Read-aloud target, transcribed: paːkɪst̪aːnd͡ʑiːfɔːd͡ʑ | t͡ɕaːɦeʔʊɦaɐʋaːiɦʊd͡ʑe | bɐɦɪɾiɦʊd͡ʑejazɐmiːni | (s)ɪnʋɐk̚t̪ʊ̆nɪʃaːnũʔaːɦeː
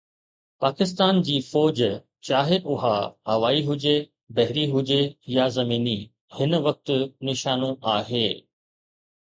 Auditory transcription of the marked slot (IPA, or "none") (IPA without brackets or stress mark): h